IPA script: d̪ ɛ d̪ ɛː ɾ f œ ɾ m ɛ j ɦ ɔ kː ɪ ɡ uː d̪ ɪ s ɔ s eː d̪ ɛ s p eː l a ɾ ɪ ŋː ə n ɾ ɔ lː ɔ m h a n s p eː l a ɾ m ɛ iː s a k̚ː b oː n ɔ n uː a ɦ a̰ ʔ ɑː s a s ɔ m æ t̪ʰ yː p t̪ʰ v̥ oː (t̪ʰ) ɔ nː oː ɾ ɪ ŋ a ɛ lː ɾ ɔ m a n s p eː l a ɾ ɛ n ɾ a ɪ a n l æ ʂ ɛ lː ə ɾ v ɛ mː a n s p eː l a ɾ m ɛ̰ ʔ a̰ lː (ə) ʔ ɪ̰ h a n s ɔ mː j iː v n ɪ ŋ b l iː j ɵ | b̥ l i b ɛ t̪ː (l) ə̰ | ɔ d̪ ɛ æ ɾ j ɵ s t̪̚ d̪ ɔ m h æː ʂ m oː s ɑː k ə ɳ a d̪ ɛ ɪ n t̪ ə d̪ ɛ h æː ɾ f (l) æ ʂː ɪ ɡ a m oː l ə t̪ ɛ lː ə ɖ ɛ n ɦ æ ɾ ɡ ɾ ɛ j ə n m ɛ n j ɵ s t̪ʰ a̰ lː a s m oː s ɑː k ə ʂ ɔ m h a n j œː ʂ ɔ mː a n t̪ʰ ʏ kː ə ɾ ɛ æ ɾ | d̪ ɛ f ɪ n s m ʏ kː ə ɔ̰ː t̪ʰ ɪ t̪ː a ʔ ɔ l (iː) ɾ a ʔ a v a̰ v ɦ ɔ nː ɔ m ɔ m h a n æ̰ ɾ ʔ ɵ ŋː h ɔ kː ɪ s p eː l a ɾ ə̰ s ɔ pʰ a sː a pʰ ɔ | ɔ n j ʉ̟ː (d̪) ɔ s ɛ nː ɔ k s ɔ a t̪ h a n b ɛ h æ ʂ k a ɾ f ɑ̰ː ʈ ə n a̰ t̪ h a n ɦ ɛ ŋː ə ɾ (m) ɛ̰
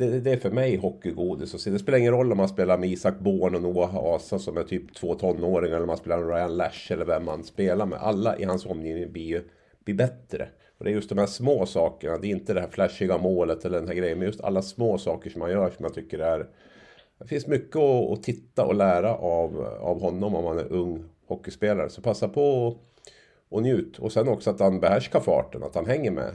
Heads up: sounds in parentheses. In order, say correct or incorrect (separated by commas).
correct, incorrect, incorrect, correct, incorrect, incorrect, correct